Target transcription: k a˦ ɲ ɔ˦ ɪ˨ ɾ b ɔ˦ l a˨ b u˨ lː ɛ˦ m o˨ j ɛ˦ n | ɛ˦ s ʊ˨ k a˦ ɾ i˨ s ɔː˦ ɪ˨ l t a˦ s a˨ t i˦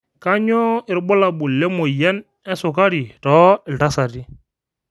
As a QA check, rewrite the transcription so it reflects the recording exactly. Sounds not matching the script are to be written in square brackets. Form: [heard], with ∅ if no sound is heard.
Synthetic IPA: k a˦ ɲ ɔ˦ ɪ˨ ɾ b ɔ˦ l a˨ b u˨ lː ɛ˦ m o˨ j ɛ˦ n | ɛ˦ s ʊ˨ k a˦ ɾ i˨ [t] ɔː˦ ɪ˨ l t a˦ s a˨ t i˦

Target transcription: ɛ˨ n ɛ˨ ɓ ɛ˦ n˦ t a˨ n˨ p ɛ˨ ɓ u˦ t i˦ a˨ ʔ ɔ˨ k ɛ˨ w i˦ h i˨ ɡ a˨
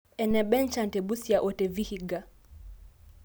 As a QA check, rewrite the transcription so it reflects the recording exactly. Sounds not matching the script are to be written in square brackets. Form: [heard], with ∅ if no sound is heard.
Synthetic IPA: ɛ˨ n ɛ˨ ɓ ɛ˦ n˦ [t͡ʃ] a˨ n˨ [t] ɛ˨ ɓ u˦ [s] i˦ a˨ ʔ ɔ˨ [t] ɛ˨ [v] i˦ h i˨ ɡ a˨

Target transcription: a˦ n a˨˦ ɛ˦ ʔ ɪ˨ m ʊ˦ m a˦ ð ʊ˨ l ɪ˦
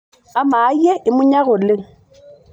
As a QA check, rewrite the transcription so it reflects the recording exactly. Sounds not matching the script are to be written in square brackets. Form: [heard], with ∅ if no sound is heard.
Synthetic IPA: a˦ [m] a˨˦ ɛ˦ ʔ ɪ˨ m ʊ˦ [ɲ] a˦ [ɣ] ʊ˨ l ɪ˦

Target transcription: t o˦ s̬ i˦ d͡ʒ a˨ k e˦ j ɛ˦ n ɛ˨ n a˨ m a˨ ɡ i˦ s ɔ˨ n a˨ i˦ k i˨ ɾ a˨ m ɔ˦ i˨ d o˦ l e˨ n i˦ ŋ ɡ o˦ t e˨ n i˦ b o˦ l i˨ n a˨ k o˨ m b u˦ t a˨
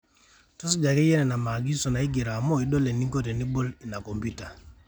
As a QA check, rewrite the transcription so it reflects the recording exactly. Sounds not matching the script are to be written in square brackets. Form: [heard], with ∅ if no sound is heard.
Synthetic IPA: t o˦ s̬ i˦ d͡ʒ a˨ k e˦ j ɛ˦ n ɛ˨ n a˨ m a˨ ɡ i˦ s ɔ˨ n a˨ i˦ [ɡ] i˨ ɾ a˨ m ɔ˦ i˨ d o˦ l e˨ n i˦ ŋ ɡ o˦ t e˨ n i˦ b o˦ l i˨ n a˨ k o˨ m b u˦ t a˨

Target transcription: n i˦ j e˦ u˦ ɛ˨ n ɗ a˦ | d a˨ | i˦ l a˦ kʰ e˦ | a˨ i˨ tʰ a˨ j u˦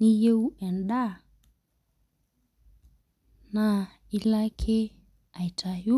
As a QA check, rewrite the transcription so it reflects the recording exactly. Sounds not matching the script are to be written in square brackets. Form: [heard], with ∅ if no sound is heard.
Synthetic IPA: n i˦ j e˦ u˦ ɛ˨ n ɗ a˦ | [n] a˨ | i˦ l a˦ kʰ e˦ | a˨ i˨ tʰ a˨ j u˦

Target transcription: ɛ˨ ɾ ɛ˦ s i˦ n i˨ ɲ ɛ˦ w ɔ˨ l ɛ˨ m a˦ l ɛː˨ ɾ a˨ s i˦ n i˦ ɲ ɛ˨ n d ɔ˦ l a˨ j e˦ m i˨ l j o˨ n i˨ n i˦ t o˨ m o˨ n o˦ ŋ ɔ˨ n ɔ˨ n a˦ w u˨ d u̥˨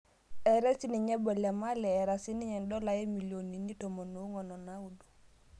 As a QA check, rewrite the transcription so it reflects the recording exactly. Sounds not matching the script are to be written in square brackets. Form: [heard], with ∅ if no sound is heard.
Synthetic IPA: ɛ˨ ɾ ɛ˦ s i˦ n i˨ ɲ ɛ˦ [b] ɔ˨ l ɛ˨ m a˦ l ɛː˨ ɾ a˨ s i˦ n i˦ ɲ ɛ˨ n d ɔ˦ l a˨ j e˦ m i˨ l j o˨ n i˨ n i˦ t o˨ m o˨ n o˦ ŋ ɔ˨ n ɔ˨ n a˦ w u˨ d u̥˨

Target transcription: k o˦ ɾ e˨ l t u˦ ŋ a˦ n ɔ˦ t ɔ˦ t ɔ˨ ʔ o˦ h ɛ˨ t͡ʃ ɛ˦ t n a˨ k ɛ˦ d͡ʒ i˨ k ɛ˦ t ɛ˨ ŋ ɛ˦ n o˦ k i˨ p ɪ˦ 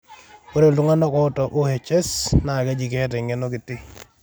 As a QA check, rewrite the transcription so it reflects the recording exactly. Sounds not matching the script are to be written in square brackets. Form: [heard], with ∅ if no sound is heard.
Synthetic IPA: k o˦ ɾ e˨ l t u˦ ŋ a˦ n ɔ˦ [k] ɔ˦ t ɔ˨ ʔ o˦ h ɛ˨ t͡ʃ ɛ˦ [s] n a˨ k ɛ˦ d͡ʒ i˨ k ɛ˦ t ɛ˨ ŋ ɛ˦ n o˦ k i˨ [t] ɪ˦

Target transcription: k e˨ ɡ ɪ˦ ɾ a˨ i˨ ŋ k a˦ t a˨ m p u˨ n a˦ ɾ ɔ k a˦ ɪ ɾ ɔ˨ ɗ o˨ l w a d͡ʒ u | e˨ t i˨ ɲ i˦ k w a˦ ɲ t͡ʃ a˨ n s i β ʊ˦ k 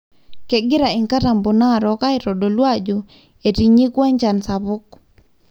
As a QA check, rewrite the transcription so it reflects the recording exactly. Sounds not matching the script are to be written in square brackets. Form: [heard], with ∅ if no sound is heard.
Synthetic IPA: k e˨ ɡ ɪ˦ ɾ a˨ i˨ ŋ k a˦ t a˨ m [b] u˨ n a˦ ɾ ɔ k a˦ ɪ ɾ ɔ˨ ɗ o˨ l w a d͡ʒ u | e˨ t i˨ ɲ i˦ k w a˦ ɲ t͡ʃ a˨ n s [a] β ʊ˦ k

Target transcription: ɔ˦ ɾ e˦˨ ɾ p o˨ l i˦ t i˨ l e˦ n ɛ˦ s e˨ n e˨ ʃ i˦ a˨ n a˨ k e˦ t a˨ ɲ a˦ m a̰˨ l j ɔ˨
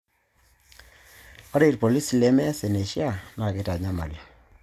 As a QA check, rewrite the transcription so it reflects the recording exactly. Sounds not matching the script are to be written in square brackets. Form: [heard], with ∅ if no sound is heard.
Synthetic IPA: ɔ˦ ɾ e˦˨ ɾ p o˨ l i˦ [s] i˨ l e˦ [m] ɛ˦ s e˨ n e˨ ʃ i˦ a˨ n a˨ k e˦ t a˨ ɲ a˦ m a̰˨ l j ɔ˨

